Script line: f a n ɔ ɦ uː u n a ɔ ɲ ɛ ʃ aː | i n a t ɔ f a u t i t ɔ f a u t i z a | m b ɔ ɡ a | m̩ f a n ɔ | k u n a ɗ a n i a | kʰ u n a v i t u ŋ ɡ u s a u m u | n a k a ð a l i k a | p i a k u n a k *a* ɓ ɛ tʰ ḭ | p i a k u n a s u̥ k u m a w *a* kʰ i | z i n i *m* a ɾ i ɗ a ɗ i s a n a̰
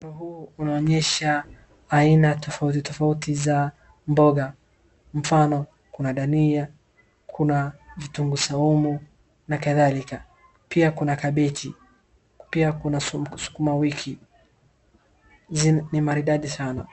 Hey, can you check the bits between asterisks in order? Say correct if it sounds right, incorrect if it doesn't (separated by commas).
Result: correct, incorrect, correct